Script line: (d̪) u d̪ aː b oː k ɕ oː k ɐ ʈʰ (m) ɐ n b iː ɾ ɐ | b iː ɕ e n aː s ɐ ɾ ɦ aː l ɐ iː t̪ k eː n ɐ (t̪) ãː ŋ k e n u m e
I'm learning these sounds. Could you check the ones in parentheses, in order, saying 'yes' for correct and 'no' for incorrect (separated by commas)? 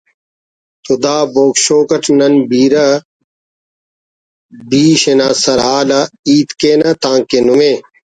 no, no, yes